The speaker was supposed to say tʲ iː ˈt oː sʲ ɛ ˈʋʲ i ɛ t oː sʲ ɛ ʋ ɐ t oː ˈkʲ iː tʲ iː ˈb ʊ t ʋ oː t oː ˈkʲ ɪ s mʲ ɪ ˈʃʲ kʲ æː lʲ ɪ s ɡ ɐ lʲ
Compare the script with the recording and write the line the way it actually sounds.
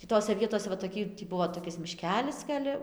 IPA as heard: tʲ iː ˈt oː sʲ ɛ ˈʋʲ i ɛ t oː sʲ ɛ ʋ ɐ t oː ˈkʲ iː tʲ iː ˈb ʊ ʋ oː t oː ˈkʲ ɪ s mʲ ɪ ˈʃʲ kʲ æː lʲ ɪ s ɡ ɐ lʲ